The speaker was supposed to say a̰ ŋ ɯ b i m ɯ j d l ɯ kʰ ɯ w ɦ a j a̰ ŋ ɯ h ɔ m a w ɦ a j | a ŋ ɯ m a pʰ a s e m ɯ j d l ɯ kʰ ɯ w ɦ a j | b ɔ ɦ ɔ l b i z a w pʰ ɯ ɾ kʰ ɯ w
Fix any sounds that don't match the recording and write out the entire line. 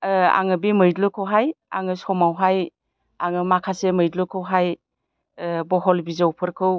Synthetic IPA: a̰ ŋ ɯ b i m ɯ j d l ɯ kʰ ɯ w ɦ a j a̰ ŋ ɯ s ɔ m a w ɦ a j | a ŋ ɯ m a kʰ a s e m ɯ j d l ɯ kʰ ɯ w ɦ a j | b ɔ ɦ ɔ l b i z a w pʰ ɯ ɾ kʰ ɯ w